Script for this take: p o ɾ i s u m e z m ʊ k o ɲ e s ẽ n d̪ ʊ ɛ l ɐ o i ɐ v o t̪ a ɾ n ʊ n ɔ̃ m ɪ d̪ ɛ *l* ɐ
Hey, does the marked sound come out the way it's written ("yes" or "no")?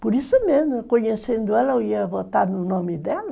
yes